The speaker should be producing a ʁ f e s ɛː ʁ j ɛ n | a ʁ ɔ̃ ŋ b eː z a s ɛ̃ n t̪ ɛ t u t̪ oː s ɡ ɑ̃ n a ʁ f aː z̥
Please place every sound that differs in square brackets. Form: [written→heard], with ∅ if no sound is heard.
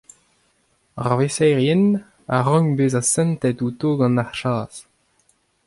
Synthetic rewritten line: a ʁ [f→v] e s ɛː ʁ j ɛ n | a ʁ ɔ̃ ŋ b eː z a s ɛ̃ n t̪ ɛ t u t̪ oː [s→∅] ɡ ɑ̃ n a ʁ [f→ʃ] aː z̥